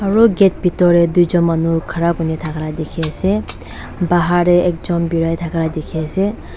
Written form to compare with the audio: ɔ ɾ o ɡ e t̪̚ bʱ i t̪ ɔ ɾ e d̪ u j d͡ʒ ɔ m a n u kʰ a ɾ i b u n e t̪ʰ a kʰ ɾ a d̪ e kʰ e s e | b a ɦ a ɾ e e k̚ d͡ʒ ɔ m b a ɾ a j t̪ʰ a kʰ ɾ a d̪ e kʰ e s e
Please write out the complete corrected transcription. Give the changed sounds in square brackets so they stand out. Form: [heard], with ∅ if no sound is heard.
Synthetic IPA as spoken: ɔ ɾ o ɡ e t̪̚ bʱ i t̪ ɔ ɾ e d̪ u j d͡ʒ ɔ m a n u kʰ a ɾ [a] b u n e t̪ʰ a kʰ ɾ a d̪ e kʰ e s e | b a ɦ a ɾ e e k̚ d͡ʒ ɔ m b [i] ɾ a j t̪ʰ a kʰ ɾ a d̪ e kʰ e s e